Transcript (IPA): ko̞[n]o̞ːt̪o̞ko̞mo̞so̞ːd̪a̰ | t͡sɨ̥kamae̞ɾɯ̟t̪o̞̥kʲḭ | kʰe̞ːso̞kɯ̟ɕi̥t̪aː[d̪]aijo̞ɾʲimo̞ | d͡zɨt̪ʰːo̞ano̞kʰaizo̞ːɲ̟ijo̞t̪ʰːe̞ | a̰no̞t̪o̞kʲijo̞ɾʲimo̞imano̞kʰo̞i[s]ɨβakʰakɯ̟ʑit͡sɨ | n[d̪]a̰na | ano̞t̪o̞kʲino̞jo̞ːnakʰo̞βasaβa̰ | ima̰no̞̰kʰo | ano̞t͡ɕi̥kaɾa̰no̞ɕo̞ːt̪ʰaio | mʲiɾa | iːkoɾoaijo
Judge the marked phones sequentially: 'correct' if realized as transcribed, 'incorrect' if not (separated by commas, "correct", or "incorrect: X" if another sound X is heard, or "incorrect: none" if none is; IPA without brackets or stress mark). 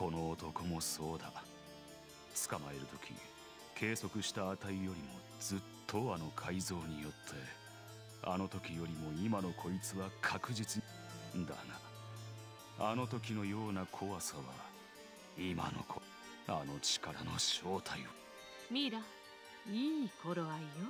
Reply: correct, incorrect: t̪, incorrect: t͡s, correct